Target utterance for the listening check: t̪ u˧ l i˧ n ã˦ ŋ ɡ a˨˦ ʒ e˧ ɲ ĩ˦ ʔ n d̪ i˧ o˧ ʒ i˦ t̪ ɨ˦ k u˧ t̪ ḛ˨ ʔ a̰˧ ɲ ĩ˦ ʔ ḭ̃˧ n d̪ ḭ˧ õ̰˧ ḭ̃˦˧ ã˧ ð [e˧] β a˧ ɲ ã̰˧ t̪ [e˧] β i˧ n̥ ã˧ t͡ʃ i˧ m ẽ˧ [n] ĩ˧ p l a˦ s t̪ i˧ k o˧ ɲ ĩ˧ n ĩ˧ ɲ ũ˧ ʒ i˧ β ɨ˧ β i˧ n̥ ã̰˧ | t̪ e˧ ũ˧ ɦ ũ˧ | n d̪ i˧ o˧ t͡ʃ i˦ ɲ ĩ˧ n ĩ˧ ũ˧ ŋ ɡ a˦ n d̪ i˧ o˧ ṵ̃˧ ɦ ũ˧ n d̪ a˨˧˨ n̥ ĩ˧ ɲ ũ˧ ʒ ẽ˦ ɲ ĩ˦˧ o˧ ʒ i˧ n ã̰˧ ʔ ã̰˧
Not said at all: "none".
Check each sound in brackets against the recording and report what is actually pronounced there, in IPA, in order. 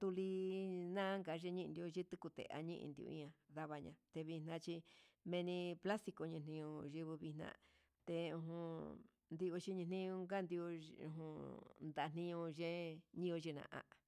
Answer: a˧, e˧, n

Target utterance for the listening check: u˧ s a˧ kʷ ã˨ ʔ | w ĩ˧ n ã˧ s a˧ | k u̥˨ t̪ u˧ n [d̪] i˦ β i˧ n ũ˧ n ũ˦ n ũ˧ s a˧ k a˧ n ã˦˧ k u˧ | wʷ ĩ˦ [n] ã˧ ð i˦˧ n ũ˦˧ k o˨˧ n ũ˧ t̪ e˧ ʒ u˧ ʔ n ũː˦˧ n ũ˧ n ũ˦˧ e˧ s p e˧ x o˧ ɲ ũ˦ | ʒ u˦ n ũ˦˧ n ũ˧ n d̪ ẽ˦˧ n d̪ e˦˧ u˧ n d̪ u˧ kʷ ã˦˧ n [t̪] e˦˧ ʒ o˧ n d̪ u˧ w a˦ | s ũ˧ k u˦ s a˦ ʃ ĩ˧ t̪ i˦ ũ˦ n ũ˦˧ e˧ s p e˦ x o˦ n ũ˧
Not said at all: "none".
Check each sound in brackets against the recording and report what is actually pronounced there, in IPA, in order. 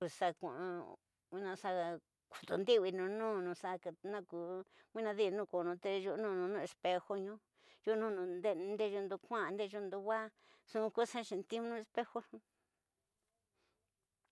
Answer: d̪, n, d̪

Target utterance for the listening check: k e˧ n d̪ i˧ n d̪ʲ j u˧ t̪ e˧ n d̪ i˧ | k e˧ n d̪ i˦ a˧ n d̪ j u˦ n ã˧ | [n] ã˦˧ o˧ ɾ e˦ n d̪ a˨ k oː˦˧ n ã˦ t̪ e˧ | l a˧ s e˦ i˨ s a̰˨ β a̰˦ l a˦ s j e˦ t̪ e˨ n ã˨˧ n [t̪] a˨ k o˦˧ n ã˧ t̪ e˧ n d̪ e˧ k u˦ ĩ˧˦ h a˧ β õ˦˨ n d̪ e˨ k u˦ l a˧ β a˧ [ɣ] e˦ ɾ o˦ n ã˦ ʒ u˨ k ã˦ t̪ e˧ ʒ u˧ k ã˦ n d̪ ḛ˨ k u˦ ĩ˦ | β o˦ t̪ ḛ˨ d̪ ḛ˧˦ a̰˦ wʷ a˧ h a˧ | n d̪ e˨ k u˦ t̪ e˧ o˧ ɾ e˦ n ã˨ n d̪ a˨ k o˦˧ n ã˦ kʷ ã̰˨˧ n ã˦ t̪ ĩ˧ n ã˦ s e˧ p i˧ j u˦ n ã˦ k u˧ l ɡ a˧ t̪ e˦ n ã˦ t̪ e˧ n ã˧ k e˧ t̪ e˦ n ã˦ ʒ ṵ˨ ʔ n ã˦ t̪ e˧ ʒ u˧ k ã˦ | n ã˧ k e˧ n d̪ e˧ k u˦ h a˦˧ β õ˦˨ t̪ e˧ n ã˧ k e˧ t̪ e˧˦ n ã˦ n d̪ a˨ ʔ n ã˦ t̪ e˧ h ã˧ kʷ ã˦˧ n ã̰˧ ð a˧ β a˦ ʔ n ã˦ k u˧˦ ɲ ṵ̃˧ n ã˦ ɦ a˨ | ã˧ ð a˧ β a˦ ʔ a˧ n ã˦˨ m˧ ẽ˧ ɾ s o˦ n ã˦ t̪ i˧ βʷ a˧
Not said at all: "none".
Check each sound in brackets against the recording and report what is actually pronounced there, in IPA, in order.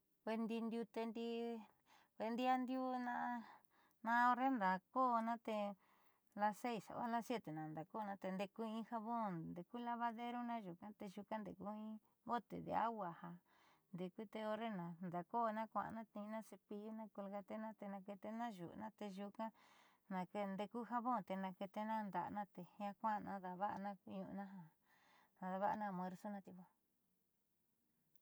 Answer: n, d̪, ð

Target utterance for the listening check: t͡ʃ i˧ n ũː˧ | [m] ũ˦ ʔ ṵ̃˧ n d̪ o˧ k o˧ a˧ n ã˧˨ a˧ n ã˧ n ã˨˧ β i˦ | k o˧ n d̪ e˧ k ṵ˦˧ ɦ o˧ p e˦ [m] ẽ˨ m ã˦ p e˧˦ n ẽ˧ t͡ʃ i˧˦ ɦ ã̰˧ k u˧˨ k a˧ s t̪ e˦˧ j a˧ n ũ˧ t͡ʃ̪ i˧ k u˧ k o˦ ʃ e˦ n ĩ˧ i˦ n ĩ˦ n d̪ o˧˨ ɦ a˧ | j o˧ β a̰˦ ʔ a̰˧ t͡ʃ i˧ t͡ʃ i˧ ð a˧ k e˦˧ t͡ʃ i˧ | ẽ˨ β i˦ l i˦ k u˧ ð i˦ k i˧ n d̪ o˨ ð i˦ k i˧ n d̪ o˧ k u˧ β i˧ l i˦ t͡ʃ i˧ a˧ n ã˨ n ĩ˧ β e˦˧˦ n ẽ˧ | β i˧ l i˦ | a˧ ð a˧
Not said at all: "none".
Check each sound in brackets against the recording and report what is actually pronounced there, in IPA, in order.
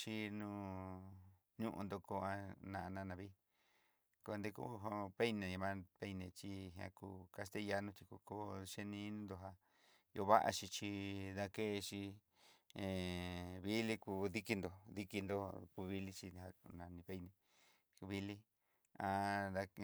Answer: ɲ, n

